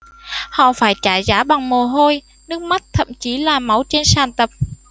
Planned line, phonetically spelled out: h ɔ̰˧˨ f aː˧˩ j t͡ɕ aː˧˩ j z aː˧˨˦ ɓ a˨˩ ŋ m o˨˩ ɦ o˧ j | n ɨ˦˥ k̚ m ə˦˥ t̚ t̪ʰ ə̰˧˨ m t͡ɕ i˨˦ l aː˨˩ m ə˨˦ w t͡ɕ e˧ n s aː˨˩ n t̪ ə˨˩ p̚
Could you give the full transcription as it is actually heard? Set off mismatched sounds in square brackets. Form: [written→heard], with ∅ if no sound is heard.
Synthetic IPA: h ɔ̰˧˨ f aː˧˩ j t͡ɕ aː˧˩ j z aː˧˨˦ ɓ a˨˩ ŋ m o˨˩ ɦ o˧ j | n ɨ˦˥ k̚ m [ə˦˥→a˦˥] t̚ t̪ʰ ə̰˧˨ m t͡ɕ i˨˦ l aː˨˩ m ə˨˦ w t͡ɕ e˧ n s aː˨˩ n t̪ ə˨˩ p̚